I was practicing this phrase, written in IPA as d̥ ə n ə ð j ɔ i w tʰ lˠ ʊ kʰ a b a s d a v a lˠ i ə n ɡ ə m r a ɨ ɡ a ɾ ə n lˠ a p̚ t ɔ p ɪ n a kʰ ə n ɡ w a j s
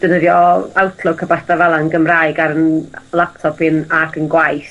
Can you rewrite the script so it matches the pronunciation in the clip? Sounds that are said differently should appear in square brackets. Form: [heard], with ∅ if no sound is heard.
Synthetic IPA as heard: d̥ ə n ə ð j ɔ [a] w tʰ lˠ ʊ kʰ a b a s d a v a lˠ [a] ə n ɡ ə m r a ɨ ɡ a ɾ ə n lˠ a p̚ [tʰ] ɔ p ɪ n a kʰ ə n ɡ w a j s